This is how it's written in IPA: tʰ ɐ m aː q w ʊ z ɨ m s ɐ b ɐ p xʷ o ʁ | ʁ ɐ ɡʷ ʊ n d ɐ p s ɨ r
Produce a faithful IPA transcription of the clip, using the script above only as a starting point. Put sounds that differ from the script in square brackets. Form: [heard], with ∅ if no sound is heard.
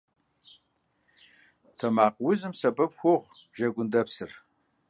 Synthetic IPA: tʰ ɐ m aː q w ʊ z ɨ m s ɐ b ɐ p xʷ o ʁ | [ʒ] ɐ ɡʷ ʊ n d ɐ p s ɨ r

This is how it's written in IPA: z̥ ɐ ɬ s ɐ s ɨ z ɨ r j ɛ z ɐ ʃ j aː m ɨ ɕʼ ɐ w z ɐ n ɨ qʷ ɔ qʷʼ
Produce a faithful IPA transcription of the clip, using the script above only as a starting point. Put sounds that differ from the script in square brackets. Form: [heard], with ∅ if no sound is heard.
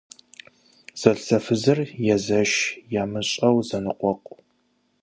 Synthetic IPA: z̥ ɐ ɬ s ɐ [f] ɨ z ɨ r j ɛ z ɐ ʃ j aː m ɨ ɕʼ ɐ w z ɐ n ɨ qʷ ɔ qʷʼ

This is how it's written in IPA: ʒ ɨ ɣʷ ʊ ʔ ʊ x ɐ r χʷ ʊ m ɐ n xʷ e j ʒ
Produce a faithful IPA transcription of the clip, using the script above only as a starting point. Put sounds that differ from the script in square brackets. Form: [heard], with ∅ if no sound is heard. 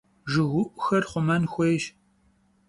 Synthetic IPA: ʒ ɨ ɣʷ ʊ ʔ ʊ x ɐ r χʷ ʊ m ɐ n xʷ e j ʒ

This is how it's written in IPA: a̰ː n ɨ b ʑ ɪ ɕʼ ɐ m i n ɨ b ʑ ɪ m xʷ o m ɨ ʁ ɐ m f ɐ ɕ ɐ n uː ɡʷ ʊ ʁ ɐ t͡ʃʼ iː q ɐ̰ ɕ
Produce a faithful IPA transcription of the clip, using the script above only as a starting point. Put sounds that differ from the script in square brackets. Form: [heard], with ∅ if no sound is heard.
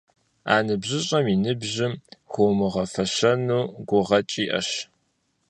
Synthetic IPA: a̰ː n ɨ b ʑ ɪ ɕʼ ɐ m i n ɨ b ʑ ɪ m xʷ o m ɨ ʁ ɐ [∅] f ɐ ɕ ɐ n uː ɡʷ ʊ ʁ ɐ t͡ʃʼ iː [ʔ] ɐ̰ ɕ

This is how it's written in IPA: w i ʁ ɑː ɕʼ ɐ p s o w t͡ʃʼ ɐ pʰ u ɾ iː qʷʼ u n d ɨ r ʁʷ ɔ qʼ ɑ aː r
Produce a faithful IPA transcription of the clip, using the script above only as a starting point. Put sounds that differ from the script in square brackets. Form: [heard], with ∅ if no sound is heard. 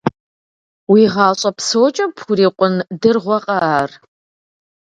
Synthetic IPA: w i ʁ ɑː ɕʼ ɐ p s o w t͡ʃʼ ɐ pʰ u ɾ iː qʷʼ [ʊ] n d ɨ r ʁʷ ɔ qʼ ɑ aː r

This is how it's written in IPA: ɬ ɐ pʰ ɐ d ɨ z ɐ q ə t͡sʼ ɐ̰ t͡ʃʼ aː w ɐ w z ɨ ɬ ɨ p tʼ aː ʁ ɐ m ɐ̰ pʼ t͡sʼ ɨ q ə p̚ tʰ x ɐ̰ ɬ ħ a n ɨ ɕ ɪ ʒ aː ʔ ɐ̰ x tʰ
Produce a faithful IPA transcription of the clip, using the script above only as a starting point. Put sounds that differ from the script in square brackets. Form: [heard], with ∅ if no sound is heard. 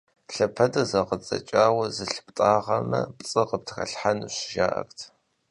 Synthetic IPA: ɬ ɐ pʰ ɐ d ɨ z ɐ q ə t͡sʼ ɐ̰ t͡ʃʼ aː w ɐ [∅] z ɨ ɬ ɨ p tʼ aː ʁ ɐ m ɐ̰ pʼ t͡sʼ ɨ q ə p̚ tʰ x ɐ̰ ɬ ħ a n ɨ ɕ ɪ ʒ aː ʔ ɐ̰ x tʰ

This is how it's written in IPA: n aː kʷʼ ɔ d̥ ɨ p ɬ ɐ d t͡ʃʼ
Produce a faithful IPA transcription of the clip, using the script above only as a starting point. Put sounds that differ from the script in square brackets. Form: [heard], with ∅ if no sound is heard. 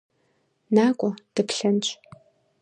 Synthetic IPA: n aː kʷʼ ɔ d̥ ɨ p ɬ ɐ [n] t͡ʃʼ

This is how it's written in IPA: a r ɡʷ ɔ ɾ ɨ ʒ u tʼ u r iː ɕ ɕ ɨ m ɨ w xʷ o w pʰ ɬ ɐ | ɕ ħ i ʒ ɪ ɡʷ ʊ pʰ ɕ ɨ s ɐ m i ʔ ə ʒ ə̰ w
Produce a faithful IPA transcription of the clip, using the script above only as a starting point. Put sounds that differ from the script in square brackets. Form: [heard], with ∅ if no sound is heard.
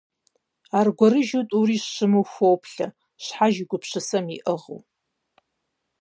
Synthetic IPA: a r ɡʷ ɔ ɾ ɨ ʒ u tʼ u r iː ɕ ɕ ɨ m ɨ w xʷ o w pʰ ɬ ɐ | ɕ ħ [a] ʒ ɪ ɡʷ ʊ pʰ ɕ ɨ s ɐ m i ʔ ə [ʁ] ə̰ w

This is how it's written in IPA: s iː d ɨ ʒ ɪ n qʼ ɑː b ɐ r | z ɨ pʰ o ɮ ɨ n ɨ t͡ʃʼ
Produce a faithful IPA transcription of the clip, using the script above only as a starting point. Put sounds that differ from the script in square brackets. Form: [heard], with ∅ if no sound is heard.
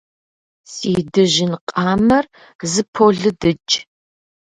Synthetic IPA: s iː d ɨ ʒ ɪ n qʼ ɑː [m] ɐ r | z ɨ pʰ o ɮ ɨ [d] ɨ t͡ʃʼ

